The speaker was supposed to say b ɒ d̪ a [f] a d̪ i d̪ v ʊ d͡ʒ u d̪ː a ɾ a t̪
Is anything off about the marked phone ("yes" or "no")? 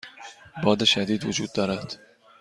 yes